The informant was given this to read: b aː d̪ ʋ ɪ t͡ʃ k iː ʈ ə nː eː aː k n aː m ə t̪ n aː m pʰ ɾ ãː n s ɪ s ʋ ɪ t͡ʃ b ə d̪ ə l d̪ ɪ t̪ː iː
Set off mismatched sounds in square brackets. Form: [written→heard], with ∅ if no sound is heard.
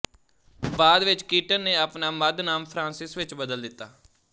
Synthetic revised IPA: b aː d̪ ʋ ɪ t͡ʃ k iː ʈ ə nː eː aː [k→p] n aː m ə [t̪→d̪] n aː m pʰ ɾ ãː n s ɪ s ʋ ɪ t͡ʃ b ə d̪ ə l d̪ ɪ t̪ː [iː→aː]

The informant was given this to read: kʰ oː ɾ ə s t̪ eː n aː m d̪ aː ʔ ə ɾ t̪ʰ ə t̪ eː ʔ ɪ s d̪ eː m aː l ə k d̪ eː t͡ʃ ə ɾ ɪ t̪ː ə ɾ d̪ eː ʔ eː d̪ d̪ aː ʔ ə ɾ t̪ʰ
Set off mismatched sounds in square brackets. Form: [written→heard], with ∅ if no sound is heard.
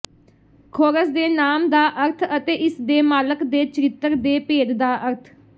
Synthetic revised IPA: kʰ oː ɾ ə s [t̪→d̪] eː n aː m d̪ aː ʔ ə ɾ t̪ʰ ə t̪ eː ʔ ɪ s d̪ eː m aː l ə k d̪ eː t͡ʃ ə ɾ ɪ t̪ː ə ɾ d̪ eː [ʔ→p] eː d̪ d̪ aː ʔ ə ɾ t̪ʰ

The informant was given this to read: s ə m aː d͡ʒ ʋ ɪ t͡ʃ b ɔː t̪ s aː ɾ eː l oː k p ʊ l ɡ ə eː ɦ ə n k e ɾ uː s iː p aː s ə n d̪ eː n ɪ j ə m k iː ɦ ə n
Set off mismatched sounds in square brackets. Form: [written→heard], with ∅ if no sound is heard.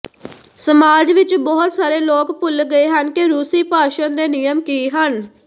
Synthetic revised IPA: s ə m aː d͡ʒ ʋ ɪ t͡ʃ b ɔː t̪ s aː ɾ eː l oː k p ʊ l ɡ ə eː ɦ ə n k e ɾ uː s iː p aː [s→ʃ] ə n d̪ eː n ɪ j ə m k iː ɦ ə n

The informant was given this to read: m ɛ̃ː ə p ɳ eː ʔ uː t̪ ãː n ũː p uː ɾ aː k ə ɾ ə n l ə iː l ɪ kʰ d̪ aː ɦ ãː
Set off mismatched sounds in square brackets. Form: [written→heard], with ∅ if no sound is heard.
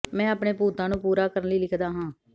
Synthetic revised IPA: m ɛ̃ː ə p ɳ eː [ʔ→p] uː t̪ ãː n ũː p uː ɾ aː k ə ɾ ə n l ə iː l ɪ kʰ d̪ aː ɦ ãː

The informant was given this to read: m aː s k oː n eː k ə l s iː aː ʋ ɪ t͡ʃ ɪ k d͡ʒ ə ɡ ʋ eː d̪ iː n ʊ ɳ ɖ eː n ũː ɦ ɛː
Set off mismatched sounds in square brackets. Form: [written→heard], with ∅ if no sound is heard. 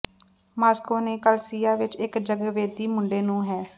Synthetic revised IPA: m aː s k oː n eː k ə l s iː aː ʋ ɪ t͡ʃ ɪ k d͡ʒ ə ɡ ʋ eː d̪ iː [n→m] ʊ ɳ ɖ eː n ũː ɦ ɛː

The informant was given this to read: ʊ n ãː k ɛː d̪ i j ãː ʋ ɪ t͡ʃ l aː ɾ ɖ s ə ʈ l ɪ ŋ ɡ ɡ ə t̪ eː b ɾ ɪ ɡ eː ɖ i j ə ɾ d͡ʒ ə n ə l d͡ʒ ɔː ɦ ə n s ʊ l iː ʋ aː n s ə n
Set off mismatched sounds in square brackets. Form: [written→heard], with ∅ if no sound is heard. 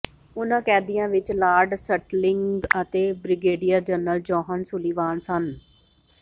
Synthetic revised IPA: ʊ n ãː k ɛː d̪ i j ãː ʋ ɪ t͡ʃ l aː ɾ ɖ s ə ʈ l ɪ ŋ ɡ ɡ ə t̪ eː b ɾ ɪ ɡ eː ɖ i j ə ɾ d͡ʒ ə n ə l d͡ʒ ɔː ɦ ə n s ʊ l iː ʋ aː n s ə n

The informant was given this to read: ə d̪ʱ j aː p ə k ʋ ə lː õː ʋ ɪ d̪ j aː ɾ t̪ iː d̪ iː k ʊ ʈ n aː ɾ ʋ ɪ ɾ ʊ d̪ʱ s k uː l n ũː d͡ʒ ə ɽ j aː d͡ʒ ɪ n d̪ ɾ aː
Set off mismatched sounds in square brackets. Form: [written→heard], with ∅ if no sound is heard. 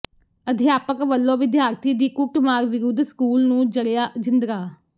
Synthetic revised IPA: ə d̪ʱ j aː p ə k ʋ ə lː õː ʋ ɪ d̪ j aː ɾ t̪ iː d̪ iː k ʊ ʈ [n→m] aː ɾ ʋ ɪ ɾ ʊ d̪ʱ s k uː l n ũː d͡ʒ ə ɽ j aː d͡ʒ ɪ n d̪ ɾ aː

